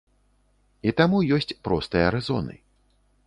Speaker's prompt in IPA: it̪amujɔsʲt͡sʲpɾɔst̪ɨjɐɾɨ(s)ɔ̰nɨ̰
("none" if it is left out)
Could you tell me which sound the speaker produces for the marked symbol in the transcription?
z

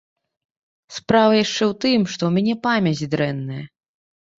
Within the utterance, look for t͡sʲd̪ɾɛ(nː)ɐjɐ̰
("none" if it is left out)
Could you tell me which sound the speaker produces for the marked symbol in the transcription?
nː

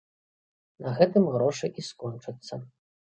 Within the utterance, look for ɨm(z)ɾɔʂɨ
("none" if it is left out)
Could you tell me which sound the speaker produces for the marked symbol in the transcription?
ɣ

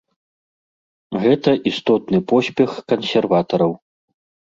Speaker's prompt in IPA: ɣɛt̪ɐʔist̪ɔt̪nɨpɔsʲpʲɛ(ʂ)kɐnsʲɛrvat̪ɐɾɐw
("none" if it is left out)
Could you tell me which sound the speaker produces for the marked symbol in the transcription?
x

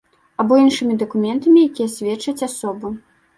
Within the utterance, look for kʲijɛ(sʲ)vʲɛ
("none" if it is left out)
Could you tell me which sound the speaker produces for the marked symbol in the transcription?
sʲ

